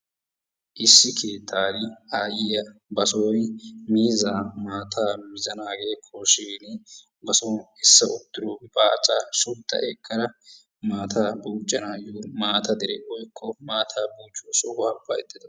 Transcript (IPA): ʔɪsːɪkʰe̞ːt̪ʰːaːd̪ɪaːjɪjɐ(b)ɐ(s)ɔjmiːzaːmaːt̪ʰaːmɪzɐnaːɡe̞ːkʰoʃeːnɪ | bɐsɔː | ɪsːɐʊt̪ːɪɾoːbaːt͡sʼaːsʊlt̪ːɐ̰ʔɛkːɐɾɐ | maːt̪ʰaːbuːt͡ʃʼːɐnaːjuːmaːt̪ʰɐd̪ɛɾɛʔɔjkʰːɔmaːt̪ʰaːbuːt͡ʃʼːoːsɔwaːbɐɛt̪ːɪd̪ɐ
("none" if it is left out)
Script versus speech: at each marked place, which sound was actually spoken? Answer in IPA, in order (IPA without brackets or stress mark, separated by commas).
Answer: b, s